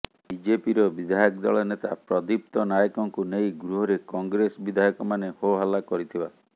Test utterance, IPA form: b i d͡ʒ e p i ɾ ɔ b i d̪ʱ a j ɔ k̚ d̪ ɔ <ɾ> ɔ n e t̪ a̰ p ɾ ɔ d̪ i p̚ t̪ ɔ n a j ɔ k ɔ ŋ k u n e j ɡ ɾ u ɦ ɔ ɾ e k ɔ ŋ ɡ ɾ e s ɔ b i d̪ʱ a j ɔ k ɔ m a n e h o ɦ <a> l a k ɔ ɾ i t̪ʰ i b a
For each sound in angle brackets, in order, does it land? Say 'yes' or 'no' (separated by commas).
no, yes